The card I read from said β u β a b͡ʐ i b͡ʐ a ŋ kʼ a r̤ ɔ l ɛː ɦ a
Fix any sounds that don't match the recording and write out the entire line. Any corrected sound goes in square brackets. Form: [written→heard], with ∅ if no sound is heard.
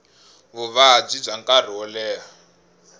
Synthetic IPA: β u β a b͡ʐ i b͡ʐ a ŋ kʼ a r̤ ɔ l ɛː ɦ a